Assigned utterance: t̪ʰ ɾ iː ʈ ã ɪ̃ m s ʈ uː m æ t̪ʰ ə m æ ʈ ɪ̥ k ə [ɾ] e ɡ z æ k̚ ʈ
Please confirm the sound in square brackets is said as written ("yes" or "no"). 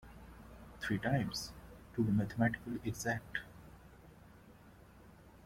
no